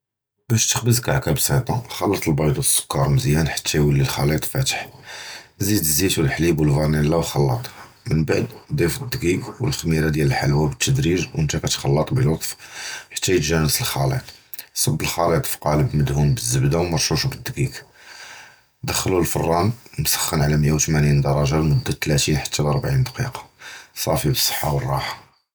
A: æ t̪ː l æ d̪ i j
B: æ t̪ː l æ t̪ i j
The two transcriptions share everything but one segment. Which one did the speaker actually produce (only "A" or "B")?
B